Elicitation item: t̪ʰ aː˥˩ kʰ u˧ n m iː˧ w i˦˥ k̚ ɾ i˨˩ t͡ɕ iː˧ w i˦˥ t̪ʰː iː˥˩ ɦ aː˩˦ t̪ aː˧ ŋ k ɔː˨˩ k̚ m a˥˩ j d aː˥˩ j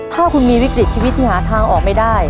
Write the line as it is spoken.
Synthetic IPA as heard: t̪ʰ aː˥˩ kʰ u˧ n m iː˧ w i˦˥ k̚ ɾ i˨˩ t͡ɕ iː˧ w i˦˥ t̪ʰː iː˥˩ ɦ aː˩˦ t̪ʰ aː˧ ŋ ʔ ɔː˨˩ k̚ m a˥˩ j d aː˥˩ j